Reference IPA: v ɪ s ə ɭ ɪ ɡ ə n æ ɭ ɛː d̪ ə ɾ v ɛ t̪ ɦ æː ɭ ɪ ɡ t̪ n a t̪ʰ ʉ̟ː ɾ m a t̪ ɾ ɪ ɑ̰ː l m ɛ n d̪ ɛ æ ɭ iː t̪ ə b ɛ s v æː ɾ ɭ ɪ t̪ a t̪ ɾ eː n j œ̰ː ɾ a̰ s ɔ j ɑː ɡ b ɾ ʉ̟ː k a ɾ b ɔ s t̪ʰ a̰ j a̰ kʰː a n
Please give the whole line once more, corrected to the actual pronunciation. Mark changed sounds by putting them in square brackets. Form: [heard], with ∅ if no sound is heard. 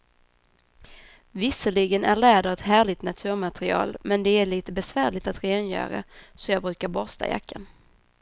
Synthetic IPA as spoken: v ɪ s ə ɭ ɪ ɡ ə n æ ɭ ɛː d̪ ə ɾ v ɛ t̪ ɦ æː ɭ ɪ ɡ t̪ n a t̪ʰ ʉ̟ː ɾ m a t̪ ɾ ɪ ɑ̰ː l m ɛ n d̪ ɛ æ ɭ iː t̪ ə b ɛ s v æː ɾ ɭ ɪ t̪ a t̪ ɾ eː n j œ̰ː ɾ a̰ s ɔ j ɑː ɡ b ɾ ʉ̟ː k a ɾ b ɔ s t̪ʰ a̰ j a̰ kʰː a n